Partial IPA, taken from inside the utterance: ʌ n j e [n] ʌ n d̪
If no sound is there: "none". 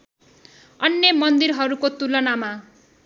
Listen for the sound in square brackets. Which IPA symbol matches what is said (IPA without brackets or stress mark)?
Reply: m